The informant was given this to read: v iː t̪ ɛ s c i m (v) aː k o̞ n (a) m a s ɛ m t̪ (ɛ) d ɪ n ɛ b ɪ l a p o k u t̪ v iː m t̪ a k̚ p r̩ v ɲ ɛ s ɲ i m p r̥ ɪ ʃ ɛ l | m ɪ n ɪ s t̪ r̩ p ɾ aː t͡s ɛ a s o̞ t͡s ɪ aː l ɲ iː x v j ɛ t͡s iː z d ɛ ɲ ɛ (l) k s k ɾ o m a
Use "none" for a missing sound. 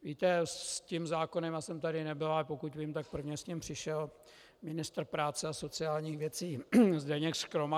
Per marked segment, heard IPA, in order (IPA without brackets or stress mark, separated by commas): z, ɛ, a, none